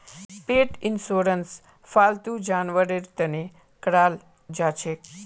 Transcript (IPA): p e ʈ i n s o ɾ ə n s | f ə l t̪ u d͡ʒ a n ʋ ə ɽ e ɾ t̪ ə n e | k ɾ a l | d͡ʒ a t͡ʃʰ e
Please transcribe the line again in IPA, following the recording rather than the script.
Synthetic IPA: p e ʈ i n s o ɾ ə n s | f a l t̪ u d͡ʒ a n ʋ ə ɾ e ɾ t̪ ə n e | k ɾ a l | d͡ʒ a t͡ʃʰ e